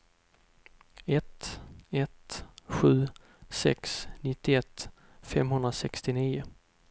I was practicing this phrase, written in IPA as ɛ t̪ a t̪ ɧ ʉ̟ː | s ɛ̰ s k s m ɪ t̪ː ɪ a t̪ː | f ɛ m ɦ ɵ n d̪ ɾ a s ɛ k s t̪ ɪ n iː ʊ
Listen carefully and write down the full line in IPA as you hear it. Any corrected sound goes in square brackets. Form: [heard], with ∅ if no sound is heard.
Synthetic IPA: ɛ t̪ [ɛ] t̪ ɧ ʉ̟ː | s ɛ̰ [∅] k s [n] ɪ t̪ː ɪ [ɛ] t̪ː | f ɛ m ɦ ɵ n d̪ ɾ a s ɛ k s t̪ ɪ n iː ʊ